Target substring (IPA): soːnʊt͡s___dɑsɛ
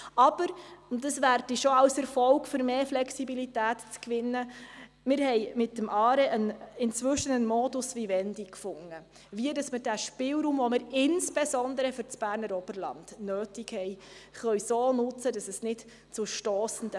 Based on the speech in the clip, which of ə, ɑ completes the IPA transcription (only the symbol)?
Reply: ə